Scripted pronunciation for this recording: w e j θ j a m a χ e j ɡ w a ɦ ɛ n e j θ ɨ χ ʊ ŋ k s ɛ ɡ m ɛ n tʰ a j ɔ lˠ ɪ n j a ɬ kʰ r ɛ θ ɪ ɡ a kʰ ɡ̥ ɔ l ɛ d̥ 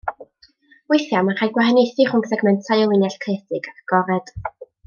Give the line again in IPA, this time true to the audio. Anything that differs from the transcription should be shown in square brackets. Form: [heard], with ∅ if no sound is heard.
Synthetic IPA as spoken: w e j θ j a m a χ [a] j ɡ w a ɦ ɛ n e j θ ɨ χ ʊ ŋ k s ɛ ɡ m ɛ n tʰ a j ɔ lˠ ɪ n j a ɬ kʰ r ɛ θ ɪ ɡ a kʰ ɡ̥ ɔ [ɾ] ɛ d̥